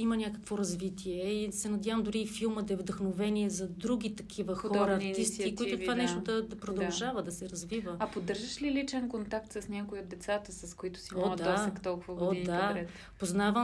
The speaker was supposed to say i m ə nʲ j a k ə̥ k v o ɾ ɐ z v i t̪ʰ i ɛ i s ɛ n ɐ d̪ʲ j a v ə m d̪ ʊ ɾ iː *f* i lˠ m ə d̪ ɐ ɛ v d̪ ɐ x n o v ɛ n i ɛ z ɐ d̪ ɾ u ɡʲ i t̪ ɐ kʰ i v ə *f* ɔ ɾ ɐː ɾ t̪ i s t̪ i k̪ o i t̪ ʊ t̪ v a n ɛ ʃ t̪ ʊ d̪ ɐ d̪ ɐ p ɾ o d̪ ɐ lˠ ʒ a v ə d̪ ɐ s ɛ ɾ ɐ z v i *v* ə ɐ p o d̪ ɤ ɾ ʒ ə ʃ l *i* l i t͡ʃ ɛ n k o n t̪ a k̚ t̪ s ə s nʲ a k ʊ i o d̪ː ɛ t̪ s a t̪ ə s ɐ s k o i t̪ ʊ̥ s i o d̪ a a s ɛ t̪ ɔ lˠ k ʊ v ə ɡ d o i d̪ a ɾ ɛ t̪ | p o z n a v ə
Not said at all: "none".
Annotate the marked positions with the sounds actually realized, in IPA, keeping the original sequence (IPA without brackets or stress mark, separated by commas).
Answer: f, x, v, i